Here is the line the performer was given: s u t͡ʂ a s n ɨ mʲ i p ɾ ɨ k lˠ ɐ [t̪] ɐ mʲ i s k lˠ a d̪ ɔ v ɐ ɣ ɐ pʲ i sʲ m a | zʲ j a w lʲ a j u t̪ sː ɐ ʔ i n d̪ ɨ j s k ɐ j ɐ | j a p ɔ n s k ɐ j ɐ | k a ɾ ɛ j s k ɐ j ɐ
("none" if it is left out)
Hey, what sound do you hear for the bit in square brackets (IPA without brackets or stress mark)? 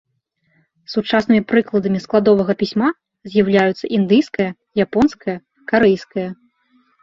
d̪